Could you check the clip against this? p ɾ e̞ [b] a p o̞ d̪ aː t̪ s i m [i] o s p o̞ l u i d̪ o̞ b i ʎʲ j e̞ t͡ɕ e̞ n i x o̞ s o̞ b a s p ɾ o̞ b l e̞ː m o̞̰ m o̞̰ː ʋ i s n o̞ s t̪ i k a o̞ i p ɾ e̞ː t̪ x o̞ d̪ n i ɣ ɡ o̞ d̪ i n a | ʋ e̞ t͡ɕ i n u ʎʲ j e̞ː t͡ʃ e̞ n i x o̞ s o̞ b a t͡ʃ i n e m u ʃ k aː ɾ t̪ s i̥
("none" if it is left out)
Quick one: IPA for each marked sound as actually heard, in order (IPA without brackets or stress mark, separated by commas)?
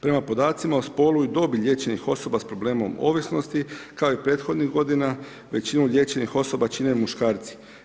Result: m, a